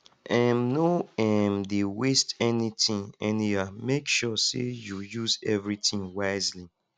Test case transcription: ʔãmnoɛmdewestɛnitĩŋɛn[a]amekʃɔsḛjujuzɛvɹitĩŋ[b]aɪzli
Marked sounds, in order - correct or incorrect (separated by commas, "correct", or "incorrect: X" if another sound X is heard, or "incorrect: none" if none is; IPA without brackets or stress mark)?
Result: incorrect: i, incorrect: w